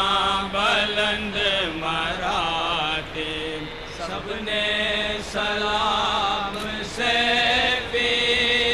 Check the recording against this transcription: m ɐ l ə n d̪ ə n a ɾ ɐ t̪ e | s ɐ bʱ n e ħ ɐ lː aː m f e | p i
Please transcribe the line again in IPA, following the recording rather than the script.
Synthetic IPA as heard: b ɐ l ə n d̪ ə m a ɾ a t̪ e | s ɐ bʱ n e s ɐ l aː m s e | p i